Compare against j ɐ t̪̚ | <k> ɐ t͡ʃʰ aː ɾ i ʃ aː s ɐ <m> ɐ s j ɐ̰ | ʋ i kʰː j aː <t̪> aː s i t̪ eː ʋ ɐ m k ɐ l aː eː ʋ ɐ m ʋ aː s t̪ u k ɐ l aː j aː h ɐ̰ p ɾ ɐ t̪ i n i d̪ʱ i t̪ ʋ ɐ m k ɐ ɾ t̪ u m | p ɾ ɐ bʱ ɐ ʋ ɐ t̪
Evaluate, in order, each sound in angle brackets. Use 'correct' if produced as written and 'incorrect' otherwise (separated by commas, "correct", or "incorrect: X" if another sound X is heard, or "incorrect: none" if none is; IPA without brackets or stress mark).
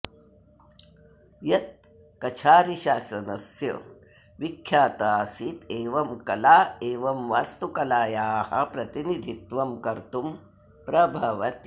correct, incorrect: n, correct